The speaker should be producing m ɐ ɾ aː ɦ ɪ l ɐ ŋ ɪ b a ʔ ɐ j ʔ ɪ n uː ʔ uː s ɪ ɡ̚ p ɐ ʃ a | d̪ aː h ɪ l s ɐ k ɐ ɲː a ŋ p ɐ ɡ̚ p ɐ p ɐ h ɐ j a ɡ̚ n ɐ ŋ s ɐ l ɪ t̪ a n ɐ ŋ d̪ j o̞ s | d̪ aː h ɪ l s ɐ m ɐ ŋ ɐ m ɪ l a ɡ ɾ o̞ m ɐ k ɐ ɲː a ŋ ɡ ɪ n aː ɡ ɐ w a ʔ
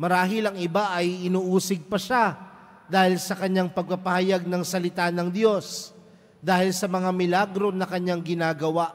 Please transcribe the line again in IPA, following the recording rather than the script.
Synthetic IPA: m ɐ ɾ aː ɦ ɪ l ɐ ŋ ɪ b a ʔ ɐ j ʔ ɪ n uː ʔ uː s ɪ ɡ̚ p ɐ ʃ a | d̪ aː h ɪ l s ɐ k ɐ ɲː a ŋ p ɐ ɡ̚ p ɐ p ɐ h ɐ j a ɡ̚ n ɐ ŋ s ɐ l ɪ t̪ a n ɐ ŋ d̪ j o̞ s | d̪ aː h ɪ l s ɐ m ɐ ŋ a m ɪ l a ɡ ɾ o̞ n ɐ k ɐ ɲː a ŋ ɡ ɪ n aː ɡ ɐ w a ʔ